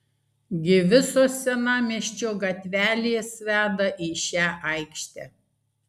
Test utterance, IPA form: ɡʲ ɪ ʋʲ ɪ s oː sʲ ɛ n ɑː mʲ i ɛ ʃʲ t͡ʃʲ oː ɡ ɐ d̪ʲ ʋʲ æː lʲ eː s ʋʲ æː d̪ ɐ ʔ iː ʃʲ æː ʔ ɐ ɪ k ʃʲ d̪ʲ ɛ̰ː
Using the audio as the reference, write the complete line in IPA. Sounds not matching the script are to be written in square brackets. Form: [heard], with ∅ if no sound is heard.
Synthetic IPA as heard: ɡʲ ɪ ʋʲ ɪ s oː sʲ ɛ n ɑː mʲ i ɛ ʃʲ t͡ʃʲ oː ɡ ɐ [t̪ʲ] ʋʲ æː lʲ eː s ʋʲ æː d̪ ɐ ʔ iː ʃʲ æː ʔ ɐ ɪ k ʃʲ [t̪ʲ] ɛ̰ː